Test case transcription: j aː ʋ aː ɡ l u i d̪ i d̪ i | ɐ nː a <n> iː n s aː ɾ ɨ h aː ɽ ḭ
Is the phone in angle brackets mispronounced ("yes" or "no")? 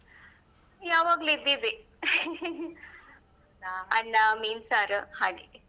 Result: yes